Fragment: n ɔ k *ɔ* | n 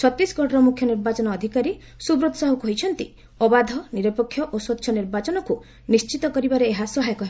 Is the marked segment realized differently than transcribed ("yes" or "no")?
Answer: yes